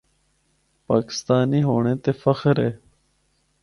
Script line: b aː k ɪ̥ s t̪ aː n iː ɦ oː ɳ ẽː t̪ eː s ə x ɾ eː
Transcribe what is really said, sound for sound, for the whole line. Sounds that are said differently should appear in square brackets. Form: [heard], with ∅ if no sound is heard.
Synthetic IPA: [p] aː k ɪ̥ s t̪ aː n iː ɦ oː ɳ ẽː t̪ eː [f] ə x ɾ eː